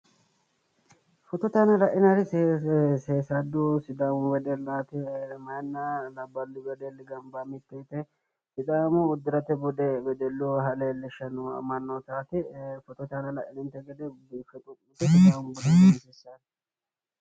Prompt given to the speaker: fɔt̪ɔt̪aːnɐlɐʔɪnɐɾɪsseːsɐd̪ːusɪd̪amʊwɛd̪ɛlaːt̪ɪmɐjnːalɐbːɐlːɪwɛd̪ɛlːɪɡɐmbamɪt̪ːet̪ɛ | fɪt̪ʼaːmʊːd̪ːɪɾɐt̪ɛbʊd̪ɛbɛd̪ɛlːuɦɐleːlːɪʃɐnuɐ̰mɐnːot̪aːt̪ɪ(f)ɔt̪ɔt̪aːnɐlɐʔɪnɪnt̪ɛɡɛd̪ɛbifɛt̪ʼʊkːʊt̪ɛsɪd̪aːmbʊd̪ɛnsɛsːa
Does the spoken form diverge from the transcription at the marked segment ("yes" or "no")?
no